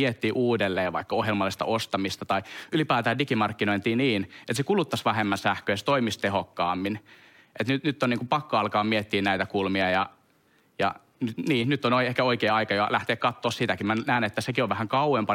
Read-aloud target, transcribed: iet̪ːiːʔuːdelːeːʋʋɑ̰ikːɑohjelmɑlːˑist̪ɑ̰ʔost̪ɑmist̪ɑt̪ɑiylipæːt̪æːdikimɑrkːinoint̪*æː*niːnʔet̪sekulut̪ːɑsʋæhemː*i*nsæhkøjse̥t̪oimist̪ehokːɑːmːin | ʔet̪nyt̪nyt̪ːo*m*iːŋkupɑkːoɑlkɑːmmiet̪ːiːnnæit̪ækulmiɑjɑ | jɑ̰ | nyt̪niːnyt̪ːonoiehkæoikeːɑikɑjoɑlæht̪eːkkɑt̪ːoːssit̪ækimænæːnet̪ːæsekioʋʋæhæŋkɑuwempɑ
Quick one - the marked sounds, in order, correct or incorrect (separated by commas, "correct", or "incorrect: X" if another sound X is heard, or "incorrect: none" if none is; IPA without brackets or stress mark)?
incorrect: iː, incorrect: æ, incorrect: n